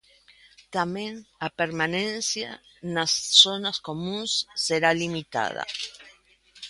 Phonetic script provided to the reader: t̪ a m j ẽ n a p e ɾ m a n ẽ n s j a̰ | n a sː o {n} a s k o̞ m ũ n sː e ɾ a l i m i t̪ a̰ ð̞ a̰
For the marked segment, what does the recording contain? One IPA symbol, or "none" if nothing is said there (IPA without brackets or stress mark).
n